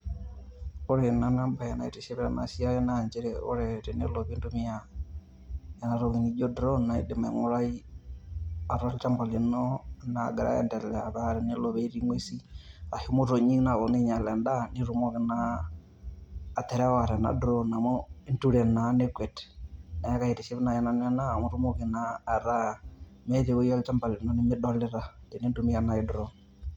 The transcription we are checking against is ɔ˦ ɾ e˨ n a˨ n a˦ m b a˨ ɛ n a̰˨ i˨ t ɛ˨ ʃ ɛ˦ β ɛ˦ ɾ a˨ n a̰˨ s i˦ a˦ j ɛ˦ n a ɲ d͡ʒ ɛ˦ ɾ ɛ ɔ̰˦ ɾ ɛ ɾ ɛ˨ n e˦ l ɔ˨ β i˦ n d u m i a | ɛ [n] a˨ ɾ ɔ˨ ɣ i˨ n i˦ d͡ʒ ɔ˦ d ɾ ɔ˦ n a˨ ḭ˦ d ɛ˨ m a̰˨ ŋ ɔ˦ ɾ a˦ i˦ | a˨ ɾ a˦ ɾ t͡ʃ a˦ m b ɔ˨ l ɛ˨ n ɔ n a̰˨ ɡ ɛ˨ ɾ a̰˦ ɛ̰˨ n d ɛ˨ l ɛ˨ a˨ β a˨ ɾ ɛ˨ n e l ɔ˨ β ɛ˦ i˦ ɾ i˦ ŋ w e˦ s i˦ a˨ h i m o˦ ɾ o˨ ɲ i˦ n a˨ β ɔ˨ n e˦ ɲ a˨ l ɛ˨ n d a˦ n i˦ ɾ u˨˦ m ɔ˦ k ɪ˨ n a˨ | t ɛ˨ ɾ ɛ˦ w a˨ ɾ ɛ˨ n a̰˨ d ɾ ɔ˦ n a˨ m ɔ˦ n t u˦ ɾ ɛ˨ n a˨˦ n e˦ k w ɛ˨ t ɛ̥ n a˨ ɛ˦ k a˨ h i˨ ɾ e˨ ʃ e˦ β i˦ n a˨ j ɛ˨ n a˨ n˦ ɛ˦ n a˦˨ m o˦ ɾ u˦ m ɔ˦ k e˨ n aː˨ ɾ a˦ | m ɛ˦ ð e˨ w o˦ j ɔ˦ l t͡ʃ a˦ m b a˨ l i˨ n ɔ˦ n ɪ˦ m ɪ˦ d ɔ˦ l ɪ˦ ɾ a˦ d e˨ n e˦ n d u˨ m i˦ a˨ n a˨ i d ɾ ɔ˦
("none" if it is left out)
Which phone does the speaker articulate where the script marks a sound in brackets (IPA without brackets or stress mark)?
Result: n